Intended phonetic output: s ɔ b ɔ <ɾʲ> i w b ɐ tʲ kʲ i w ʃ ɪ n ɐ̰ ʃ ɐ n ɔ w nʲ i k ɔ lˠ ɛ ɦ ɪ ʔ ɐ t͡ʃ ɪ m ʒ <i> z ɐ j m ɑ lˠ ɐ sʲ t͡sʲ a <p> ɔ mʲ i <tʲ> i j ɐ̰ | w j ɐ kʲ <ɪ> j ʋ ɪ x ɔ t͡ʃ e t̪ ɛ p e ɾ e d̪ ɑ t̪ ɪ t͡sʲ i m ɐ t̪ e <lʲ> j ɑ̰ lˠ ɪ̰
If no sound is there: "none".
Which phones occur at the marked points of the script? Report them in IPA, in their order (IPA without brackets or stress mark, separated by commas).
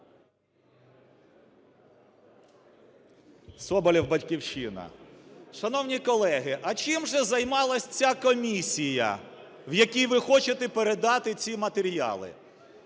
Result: lʲ, ɛ, k, sʲ, i, ɾʲ